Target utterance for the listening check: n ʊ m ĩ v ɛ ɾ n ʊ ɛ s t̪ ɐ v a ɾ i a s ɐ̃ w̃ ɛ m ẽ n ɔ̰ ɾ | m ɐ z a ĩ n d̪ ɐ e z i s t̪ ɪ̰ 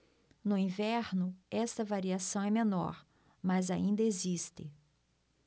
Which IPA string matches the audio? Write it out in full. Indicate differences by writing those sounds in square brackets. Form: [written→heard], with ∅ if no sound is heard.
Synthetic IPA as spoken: n ʊ [m→∅] ĩ v ɛ ɾ n ʊ ɛ s t̪ ɐ v a ɾ i a s ɐ̃ w̃ ɛ m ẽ n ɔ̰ ɾ | m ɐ z a ĩ n d̪ ɐ e z i s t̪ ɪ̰